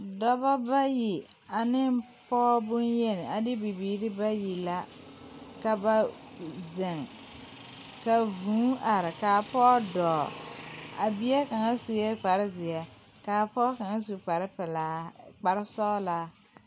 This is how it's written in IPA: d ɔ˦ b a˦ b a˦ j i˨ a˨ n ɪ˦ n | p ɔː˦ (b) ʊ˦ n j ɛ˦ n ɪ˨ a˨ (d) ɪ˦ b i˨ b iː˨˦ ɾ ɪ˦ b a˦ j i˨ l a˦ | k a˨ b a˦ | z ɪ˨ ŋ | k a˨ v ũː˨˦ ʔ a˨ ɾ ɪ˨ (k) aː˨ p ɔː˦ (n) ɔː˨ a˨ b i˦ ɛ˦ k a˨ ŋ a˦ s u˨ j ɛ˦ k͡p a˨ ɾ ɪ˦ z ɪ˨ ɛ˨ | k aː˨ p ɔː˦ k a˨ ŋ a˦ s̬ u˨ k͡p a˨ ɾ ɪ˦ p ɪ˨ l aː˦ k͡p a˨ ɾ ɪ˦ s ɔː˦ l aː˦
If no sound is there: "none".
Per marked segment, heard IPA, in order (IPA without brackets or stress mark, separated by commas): b, d, k, d